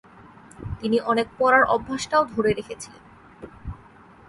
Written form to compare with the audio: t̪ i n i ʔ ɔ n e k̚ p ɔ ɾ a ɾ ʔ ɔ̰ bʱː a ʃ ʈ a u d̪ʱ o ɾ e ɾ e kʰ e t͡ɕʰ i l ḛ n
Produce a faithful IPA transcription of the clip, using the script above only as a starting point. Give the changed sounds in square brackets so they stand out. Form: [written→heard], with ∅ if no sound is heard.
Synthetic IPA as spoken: t̪ i n i ʔ ɔ n e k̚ p ɔ ɾ a ɾ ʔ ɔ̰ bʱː a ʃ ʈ a [u→o] d̪ʱ o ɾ e ɾ e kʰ e t͡ɕʰ i l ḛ n